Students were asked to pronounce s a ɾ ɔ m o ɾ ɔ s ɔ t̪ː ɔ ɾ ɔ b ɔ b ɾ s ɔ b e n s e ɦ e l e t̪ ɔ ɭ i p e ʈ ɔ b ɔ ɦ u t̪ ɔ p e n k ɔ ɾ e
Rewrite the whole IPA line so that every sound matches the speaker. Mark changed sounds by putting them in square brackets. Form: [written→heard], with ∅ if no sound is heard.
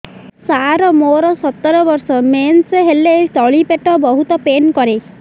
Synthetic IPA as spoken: s a ɾ ɔ m o ɾ ɔ s ɔ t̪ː ɔ ɾ ɔ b ɔ [b→∅] ɾ s ɔ [b→m] e n s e ɦ e l e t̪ ɔ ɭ i p e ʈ ɔ b ɔ ɦ u t̪ ɔ p e n k ɔ ɾ e